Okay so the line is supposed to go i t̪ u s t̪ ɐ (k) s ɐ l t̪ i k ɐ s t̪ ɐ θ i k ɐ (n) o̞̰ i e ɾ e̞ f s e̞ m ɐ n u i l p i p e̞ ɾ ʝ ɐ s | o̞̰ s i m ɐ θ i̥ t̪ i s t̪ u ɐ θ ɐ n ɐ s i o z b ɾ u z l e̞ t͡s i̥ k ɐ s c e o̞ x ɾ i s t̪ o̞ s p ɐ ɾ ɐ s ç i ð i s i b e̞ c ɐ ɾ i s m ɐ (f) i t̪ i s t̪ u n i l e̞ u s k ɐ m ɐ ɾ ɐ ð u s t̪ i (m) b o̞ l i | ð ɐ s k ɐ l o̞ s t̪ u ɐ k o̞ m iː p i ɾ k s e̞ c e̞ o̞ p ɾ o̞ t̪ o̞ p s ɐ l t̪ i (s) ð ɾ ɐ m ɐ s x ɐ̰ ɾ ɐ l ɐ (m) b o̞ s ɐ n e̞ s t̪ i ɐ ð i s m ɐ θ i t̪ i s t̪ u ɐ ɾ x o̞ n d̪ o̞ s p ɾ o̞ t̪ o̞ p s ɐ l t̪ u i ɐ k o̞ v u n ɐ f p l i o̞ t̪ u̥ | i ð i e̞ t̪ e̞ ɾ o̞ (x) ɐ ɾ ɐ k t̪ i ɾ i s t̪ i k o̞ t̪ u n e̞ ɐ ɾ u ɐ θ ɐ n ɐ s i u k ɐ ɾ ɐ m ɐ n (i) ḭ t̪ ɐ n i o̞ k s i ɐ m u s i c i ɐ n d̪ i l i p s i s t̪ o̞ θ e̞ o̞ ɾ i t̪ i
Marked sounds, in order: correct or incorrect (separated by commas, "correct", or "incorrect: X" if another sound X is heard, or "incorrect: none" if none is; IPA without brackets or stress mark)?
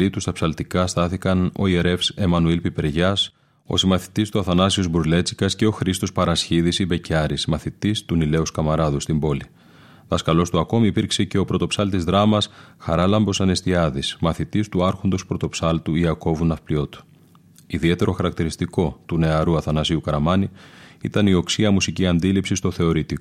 incorrect: p, correct, incorrect: θ, correct, incorrect: z, correct, correct, correct